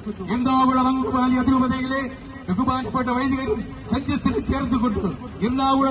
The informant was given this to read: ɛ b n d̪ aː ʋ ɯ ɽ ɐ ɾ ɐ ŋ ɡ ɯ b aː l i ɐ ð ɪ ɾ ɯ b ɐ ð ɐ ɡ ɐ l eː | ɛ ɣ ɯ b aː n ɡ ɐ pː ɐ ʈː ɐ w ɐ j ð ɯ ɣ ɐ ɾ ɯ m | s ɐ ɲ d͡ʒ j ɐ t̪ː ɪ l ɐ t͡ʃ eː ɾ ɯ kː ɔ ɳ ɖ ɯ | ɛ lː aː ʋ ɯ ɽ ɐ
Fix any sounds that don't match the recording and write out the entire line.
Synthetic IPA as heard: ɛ n d̪ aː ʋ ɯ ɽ ɐ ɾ ɐ ŋ ɡ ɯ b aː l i ɐ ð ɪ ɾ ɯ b ɐ ð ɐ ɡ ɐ l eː | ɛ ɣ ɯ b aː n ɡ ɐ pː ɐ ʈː ɐ ʋ ɐ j ð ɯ ɣ ɐ ɾ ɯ m | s ɐ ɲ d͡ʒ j ɐ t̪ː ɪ l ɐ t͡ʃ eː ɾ ɯ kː ɔ ɳ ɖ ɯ | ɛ lː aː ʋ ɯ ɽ ɐ

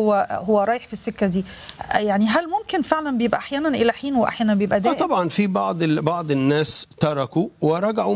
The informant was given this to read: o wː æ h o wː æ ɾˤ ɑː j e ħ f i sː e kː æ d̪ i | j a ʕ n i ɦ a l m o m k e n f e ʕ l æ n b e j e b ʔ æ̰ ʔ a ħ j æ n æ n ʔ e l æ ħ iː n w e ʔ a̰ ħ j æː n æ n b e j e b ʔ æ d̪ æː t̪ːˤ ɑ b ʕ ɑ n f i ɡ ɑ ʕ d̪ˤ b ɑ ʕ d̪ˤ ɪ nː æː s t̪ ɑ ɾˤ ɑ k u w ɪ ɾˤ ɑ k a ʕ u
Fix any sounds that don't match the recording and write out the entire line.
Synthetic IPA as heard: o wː æ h o wː æ ɾˤ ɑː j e ħ f i sː e kː æ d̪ iː | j a ʕ n i ɦ æ l m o m k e n f e ʕ l æ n b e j e b ʔ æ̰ ʔ a ħ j æː n æ n ʔ e l æ ħ iː n w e ʔ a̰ ħ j æː n æ n b e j e b ʔ æ d̪ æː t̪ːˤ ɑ b ʕ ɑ n f i b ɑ ʕ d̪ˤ b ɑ ʕ d̪ˤ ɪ nː æː s t̪ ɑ ɾˤ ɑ k u w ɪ ɾˤ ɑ ɡ a ʕ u

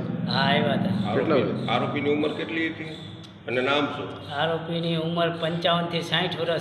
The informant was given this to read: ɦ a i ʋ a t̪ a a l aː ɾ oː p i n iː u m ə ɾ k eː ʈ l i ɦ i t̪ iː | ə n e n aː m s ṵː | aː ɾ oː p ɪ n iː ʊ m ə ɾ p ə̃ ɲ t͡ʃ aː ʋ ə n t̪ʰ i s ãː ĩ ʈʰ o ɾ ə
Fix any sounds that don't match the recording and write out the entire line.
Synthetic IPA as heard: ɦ a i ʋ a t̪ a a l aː ɾ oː p i n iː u m ə ɾ k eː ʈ l i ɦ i t̪ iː | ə n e n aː m s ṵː | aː ɾ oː p i n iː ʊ m ə ɾ p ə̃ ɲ t͡ʃ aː ʋ ə n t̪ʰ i s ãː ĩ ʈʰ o ɾ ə

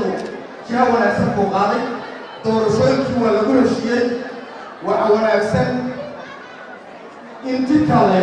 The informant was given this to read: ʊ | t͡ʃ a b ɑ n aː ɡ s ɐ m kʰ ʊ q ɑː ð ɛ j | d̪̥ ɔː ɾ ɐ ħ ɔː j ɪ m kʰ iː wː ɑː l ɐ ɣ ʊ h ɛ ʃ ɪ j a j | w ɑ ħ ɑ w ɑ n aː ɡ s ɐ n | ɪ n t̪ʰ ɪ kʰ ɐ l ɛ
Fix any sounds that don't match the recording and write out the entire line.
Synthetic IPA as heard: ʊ | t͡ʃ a w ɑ n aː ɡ s ɐ ŋ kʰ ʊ q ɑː ð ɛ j | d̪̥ ɔː ɾ ɐ ʃ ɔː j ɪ ŋ kʰ iː w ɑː l ɐ ɣ ʊ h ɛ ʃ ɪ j ɛ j | w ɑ ħ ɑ w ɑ n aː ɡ s ɐ n | ɪ n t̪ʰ ɪ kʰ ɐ l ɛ

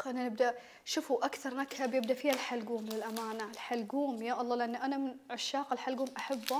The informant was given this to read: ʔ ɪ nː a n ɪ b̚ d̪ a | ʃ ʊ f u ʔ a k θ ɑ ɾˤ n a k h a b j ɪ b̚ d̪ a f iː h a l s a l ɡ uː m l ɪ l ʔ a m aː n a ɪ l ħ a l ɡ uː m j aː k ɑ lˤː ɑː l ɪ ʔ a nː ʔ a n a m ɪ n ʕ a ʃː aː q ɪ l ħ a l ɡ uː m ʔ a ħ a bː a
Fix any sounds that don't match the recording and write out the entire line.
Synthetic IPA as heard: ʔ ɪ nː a n ɪ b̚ d̪ a | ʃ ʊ f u ʔ a k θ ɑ ɾˤ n a k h a b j ɪ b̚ d̪ a f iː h a l ħ a l ɡ uː m l ɪ l ʔ a m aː n a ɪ l ħ a l ɡ uː m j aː ʔ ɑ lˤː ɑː l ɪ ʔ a nː ʔ a n a m ɪ n ʕ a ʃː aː q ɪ l ħ a l ɡ uː m ʔ a ħ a bː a

